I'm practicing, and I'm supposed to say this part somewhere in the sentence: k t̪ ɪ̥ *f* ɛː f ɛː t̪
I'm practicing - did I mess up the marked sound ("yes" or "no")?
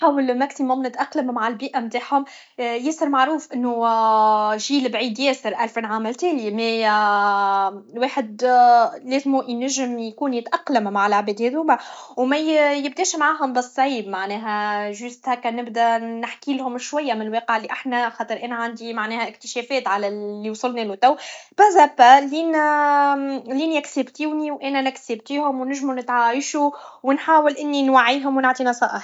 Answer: yes